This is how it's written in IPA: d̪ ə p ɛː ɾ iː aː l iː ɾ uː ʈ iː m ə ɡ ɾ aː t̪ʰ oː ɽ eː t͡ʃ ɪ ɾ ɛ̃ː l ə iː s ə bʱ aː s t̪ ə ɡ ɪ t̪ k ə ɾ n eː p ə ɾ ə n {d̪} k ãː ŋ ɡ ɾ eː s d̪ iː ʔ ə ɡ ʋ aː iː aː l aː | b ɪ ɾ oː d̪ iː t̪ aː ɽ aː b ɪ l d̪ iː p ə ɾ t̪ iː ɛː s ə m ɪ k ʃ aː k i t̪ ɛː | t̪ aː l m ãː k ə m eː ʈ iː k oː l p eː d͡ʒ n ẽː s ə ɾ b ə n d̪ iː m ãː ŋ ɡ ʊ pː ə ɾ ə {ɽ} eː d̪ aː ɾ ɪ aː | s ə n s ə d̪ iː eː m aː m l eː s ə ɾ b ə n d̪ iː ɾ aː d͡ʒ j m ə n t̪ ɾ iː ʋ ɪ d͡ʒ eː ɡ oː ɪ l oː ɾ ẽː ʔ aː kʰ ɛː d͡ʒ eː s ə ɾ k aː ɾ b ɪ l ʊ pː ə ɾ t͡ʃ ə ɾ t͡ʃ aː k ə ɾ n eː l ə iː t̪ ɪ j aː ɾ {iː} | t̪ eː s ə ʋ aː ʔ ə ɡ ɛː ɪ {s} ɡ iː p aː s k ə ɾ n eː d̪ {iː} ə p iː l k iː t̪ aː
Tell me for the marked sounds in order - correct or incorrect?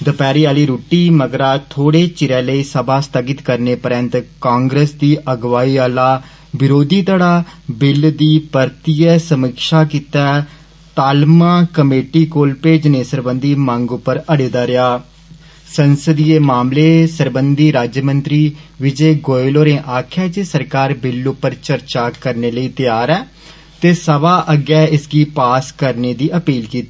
incorrect, correct, incorrect, correct, correct

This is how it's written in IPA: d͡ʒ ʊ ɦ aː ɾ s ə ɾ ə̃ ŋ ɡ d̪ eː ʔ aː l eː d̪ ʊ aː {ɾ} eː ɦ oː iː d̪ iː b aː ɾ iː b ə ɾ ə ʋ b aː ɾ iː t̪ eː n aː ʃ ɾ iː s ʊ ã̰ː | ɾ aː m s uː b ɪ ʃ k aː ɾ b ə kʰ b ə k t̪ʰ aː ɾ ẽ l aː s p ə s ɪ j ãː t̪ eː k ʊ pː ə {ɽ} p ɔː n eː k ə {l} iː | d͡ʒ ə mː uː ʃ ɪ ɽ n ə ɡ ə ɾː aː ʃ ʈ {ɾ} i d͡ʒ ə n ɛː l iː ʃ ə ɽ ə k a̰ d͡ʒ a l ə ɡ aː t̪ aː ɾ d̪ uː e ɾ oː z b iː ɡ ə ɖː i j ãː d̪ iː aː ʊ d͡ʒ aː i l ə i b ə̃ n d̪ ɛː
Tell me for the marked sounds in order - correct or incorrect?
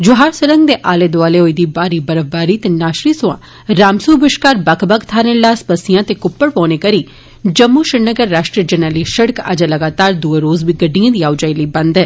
incorrect, correct, incorrect, correct

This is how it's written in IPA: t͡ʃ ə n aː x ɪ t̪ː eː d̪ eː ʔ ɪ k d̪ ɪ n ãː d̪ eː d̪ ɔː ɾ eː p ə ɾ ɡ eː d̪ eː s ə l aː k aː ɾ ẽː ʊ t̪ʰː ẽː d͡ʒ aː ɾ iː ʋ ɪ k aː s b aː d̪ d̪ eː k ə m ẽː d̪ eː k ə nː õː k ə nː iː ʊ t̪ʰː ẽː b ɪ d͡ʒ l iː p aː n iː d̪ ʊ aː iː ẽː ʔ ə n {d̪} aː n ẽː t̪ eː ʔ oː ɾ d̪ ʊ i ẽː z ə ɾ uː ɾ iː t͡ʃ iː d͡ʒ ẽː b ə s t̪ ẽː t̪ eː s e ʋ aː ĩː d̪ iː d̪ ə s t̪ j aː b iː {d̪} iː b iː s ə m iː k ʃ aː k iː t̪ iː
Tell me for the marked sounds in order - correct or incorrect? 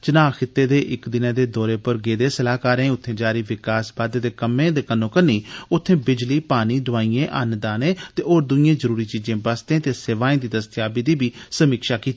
correct, correct

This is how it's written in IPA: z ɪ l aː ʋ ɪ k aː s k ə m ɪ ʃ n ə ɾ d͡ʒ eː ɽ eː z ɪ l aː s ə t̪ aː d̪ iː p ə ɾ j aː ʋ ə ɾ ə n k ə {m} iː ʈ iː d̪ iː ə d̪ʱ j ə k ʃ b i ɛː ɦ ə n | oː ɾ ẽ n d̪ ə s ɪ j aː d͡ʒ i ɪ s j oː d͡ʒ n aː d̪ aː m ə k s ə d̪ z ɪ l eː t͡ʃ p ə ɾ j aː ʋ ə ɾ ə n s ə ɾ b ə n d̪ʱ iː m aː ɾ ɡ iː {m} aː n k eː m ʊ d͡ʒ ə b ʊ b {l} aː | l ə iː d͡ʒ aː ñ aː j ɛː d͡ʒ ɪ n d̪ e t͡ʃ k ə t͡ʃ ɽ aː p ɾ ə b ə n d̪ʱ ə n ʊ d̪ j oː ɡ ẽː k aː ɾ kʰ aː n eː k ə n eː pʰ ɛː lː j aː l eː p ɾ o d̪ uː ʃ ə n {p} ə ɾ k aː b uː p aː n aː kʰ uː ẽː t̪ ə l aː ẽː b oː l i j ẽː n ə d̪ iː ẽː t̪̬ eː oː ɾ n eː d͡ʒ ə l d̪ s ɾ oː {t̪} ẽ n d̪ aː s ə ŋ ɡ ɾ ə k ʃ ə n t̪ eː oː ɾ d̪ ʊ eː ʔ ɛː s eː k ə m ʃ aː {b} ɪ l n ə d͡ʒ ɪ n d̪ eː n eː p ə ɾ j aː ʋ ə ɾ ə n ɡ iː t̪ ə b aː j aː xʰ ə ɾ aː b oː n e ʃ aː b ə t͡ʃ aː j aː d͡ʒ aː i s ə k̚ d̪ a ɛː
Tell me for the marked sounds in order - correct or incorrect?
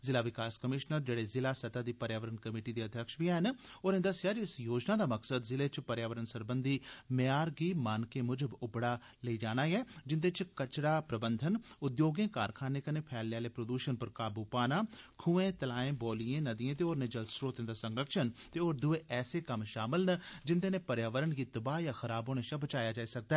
correct, correct, incorrect, correct, correct, incorrect

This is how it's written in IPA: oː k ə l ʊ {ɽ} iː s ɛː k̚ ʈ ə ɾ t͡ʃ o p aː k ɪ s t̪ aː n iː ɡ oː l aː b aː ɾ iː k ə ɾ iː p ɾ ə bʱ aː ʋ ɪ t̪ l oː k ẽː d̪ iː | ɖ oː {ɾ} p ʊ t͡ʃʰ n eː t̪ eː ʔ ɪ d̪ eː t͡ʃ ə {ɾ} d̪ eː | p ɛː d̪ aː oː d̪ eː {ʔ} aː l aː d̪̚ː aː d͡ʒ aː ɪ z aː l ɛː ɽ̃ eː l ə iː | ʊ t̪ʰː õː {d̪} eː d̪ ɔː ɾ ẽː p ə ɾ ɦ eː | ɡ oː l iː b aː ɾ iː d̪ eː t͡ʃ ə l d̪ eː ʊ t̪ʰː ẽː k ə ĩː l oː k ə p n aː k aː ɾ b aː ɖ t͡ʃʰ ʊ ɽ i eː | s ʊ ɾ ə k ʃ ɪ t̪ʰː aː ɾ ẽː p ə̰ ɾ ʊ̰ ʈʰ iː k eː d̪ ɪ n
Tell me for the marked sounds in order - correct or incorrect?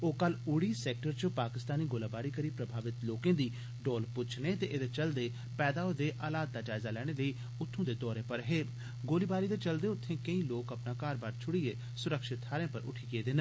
correct, incorrect, incorrect, correct, correct

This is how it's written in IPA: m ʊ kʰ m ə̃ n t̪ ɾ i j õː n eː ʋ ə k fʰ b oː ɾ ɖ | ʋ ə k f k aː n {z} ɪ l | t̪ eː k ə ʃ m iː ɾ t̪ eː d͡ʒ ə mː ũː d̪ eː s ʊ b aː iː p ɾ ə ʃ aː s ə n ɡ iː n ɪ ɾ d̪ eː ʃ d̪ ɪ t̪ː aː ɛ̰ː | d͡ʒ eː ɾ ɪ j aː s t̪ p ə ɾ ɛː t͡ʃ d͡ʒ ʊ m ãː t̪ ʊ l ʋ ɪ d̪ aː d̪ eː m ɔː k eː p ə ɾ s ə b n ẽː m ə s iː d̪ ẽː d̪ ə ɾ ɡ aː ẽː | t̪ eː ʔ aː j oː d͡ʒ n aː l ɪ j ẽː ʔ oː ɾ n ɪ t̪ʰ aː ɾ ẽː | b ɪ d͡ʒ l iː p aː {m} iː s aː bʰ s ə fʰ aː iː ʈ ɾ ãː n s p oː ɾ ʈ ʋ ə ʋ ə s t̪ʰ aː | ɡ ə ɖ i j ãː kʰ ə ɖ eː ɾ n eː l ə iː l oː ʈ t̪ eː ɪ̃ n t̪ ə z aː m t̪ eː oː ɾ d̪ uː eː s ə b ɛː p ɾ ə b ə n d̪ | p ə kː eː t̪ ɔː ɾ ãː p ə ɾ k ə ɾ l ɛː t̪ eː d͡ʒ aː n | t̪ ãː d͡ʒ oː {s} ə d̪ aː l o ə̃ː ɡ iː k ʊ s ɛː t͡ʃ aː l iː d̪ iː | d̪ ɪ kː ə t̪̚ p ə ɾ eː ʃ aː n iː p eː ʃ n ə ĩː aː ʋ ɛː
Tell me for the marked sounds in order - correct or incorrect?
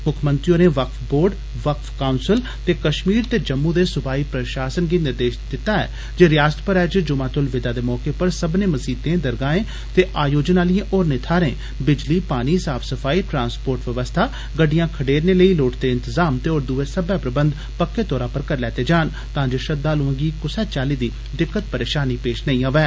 incorrect, incorrect, incorrect

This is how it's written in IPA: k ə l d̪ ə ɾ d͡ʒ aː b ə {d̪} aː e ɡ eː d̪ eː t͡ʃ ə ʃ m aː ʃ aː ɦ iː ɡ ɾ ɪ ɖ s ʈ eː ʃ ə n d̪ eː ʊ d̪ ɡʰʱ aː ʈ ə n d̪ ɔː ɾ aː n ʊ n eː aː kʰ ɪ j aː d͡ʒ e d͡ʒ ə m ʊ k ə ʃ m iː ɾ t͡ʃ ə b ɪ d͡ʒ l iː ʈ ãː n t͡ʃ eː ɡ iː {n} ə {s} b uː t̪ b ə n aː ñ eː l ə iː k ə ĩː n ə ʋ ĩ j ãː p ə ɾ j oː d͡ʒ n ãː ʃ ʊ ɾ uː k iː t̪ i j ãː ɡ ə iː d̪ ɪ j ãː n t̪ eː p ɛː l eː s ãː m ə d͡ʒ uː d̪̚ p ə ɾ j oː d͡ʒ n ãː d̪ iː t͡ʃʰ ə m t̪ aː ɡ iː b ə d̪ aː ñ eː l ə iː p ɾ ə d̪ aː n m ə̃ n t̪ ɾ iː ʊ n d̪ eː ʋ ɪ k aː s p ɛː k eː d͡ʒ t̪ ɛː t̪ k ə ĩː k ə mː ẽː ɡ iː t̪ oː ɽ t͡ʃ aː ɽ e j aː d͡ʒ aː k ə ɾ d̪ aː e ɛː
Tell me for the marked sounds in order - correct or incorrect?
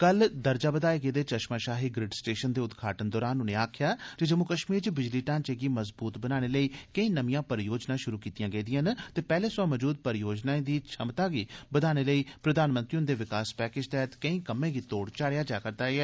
correct, incorrect, incorrect

